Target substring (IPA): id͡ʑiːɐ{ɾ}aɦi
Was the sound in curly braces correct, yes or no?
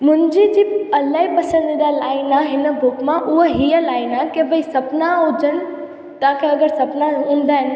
no